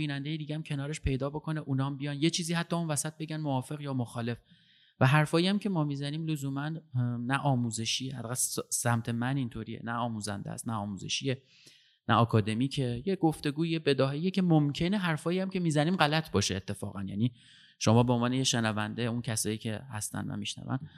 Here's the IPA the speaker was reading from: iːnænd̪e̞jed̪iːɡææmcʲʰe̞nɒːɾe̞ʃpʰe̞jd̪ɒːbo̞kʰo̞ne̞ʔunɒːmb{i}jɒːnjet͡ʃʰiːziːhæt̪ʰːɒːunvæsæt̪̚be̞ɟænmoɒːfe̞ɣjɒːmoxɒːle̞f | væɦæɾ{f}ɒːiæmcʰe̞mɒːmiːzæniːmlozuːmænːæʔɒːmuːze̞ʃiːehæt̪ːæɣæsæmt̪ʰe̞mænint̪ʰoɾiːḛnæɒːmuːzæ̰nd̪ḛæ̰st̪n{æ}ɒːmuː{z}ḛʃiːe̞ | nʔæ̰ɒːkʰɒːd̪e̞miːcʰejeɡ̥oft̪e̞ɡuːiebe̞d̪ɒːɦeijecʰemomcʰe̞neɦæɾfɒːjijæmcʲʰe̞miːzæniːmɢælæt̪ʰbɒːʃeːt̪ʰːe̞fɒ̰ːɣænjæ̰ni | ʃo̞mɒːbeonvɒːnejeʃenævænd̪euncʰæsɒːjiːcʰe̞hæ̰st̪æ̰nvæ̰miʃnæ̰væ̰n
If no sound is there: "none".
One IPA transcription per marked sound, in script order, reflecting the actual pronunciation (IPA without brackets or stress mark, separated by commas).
i, f, æ, z